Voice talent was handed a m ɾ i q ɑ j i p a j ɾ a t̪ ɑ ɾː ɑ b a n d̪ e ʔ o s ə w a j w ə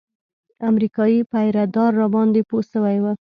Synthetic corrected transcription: a m ɾ i k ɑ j i p a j ɾ a d̪ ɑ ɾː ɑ b ɑ n d̪ e p o s ə w a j w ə